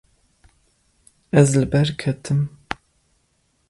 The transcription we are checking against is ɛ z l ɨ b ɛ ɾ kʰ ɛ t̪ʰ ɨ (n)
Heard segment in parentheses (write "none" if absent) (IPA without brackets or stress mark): m